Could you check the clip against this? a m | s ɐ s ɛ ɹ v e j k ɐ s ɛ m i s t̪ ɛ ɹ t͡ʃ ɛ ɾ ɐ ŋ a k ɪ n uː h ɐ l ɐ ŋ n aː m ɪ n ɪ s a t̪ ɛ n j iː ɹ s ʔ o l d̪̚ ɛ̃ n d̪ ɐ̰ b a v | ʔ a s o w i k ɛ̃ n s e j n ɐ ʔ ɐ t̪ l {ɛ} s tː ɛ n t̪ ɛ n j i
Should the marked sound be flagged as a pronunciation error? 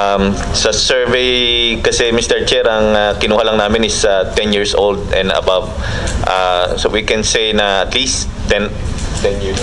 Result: yes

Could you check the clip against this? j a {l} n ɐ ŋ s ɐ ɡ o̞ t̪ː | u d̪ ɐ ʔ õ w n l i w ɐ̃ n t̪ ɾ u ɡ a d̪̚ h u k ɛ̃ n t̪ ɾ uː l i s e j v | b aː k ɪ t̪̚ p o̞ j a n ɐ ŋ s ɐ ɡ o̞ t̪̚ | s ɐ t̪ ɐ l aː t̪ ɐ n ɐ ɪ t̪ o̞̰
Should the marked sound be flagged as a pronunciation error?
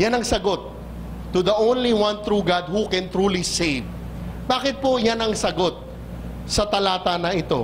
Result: yes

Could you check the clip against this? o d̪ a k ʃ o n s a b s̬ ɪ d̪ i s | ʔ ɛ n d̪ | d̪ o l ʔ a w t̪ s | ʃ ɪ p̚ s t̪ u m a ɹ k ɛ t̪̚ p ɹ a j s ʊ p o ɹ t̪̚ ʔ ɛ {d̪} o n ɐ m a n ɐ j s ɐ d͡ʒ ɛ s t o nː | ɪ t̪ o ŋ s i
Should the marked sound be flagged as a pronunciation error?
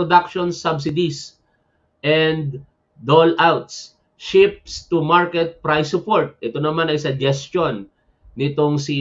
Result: yes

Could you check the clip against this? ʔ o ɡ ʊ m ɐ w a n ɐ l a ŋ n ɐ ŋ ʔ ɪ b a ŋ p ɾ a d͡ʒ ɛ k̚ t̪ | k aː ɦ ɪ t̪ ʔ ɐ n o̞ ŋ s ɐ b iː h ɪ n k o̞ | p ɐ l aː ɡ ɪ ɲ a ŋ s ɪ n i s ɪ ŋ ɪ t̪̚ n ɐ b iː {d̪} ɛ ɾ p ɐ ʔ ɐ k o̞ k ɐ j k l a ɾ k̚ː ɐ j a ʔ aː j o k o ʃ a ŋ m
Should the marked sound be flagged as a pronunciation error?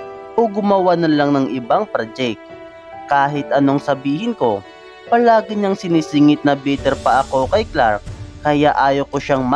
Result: yes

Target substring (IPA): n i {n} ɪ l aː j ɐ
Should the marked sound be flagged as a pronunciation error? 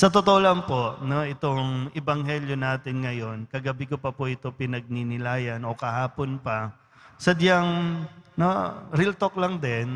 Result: no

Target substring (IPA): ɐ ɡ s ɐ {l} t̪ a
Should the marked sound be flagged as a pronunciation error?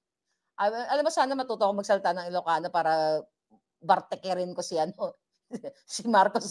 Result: no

